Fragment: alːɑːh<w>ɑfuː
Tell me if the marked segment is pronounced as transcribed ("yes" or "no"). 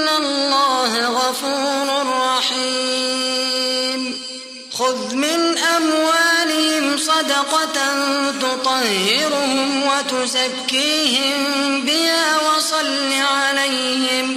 no